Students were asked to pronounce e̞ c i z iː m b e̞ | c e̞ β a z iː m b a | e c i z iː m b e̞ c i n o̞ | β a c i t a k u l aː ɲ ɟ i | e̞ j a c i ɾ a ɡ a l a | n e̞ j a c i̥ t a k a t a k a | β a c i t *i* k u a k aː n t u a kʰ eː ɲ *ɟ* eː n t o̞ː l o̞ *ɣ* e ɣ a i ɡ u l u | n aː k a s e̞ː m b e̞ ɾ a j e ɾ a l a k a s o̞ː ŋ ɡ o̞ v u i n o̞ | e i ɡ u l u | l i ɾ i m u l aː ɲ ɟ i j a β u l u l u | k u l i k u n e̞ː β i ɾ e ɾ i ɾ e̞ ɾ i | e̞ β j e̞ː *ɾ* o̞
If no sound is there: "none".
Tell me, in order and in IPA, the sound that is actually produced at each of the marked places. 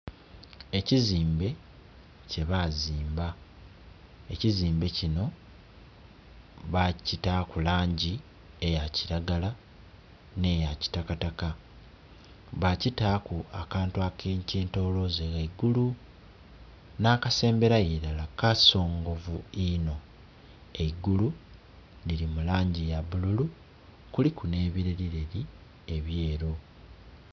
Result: a, c, z, ɾ

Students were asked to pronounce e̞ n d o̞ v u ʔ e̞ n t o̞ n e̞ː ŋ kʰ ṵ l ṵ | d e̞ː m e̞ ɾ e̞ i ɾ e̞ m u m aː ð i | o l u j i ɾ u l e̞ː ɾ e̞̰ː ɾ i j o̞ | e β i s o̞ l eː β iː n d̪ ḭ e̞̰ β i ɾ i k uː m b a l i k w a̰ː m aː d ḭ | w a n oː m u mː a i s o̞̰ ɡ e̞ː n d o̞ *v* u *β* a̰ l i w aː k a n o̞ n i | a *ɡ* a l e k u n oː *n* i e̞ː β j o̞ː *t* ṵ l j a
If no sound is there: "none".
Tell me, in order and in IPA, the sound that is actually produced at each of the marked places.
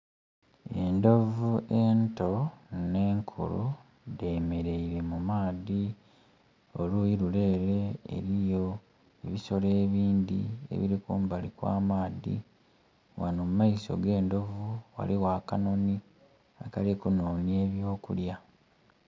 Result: v, w, k, n, k

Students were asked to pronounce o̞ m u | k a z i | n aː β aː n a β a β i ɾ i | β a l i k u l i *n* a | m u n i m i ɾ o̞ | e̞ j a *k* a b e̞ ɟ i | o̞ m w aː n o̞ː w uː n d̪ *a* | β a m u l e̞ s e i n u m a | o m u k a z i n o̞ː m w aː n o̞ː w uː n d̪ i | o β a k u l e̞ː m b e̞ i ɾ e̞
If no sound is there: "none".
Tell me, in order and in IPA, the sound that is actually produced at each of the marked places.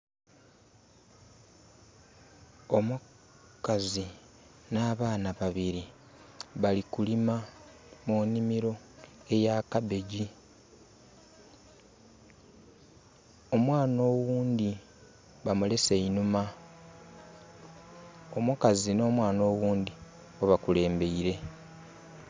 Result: m, k, i

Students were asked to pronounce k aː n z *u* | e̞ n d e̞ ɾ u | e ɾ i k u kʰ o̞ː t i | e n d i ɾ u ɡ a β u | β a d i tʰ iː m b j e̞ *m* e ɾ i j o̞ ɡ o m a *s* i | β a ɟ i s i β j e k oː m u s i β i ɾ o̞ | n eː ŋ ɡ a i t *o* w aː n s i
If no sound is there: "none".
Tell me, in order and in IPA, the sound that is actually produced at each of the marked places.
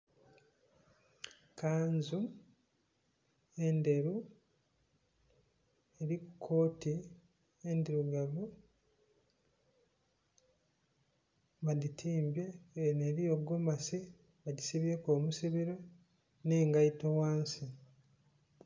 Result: u, n, s, o

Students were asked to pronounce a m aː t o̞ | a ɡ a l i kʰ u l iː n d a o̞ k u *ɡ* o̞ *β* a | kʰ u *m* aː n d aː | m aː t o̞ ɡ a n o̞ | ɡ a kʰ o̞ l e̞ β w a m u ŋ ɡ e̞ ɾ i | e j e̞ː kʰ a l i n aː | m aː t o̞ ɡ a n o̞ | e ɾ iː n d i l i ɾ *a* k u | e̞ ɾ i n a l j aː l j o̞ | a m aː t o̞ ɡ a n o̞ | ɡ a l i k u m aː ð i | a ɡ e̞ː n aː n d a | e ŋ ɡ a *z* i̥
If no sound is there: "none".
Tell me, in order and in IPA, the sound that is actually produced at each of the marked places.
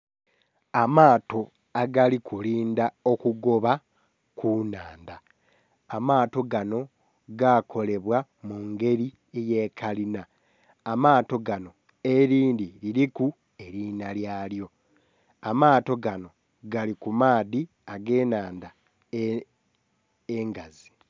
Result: ɡ, β, n, i, z

